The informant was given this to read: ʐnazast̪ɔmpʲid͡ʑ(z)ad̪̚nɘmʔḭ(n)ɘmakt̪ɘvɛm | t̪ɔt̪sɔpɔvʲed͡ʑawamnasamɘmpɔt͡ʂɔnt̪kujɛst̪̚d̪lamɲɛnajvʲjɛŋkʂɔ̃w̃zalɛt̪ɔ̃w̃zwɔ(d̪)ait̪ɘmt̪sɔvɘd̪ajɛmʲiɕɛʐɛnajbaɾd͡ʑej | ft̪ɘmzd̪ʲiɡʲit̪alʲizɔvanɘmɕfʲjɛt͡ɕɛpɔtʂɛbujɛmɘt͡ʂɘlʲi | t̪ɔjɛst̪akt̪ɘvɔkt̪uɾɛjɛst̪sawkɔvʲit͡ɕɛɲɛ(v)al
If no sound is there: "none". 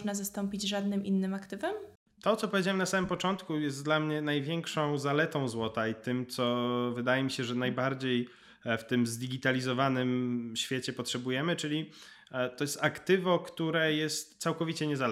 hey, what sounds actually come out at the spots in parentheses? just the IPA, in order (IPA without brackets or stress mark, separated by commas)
ʐ, nː, t̪, z